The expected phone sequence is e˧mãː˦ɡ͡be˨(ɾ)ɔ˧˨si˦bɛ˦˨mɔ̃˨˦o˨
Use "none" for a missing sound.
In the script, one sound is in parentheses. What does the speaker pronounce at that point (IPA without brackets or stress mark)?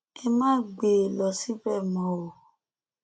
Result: l